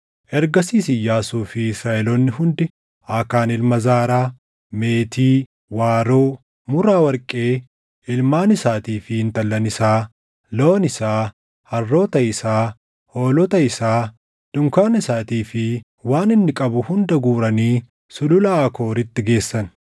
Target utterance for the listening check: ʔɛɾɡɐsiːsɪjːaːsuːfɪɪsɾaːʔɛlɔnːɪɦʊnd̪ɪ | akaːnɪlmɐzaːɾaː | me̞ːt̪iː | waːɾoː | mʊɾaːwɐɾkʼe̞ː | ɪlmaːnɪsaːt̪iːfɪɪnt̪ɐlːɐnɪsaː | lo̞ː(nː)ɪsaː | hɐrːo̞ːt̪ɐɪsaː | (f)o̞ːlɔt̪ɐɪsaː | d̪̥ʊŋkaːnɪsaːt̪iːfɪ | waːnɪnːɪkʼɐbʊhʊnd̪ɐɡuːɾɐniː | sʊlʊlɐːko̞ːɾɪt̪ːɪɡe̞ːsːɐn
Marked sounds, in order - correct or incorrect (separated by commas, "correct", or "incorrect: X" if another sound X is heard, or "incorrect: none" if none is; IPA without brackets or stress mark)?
incorrect: n, incorrect: h